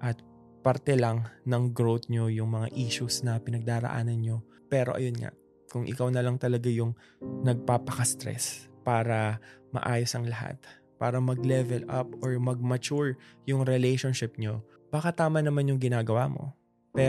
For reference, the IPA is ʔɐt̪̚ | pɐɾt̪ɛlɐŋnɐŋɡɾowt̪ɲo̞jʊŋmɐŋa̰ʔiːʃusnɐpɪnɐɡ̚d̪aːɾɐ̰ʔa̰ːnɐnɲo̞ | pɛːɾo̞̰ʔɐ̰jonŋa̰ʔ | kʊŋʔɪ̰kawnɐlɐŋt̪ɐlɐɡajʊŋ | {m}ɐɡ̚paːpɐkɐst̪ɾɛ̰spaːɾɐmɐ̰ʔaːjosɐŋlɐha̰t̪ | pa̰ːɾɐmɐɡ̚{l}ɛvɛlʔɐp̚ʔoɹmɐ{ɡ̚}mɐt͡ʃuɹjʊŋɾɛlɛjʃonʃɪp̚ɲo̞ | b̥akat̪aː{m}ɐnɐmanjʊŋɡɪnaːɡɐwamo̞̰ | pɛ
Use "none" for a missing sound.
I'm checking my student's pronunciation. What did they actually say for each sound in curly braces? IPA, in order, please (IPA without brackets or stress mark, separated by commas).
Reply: n, l, ɡ̚, m